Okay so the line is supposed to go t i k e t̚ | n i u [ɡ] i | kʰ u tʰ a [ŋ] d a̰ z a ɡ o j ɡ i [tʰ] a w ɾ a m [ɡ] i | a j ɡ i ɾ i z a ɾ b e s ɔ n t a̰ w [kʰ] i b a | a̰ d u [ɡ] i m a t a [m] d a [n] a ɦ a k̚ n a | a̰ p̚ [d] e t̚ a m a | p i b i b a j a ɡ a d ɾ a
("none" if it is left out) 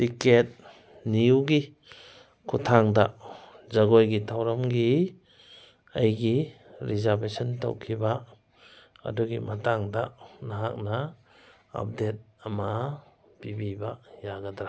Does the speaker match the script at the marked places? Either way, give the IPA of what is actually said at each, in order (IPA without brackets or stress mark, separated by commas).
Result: ɡ, ŋ, tʰ, ɡ, kʰ, ɡ, ŋ, n, d